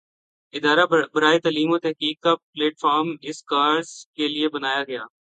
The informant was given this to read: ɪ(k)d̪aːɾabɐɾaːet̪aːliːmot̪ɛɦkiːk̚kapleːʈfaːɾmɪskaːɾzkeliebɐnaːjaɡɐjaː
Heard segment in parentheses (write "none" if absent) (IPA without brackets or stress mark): none